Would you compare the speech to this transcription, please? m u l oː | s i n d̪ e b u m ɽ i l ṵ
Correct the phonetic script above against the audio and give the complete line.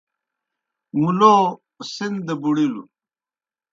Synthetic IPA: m u l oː | s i n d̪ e b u ɽ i l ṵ